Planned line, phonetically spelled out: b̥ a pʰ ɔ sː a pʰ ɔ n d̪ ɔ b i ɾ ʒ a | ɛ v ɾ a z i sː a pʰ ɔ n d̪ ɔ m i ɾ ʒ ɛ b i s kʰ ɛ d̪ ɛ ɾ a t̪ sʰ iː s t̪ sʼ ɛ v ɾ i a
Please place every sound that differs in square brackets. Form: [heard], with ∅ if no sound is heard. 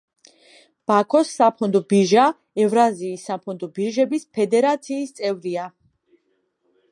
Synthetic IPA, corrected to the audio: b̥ a [kʰ] ɔ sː a pʰ ɔ n d̪ ɔ b i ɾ ʒ a | ɛ v ɾ a z [iː] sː a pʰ ɔ n d̪ ɔ [b] i ɾ ʒ ɛ b i s [pʰ] ɛ d̪ ɛ ɾ a t̪ sʰ iː s t̪ sʼ ɛ v ɾ i a